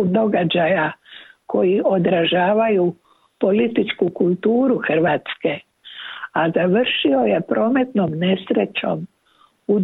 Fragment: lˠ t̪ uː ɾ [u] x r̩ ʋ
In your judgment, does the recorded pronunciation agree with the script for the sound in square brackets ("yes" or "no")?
yes